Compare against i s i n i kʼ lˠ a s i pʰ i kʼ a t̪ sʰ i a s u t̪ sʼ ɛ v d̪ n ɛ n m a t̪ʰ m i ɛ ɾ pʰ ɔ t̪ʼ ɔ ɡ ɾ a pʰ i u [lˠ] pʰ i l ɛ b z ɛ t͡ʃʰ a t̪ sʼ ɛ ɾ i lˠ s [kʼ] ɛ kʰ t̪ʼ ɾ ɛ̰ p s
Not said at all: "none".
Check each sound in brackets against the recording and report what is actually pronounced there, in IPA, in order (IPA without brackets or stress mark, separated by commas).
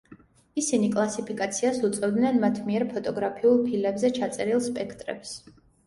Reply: lˠ, pʼ